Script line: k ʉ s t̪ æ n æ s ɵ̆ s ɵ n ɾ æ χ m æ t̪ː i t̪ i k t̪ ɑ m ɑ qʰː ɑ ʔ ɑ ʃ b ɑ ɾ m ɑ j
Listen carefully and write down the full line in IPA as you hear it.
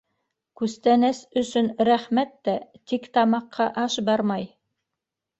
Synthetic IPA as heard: k ʉ s t̪ æ n æ s ɵ̆ s ɵ n ɾ æ χ m æ t̪ː æ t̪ i k t̪ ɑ m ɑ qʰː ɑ ʔ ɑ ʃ b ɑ ɾ m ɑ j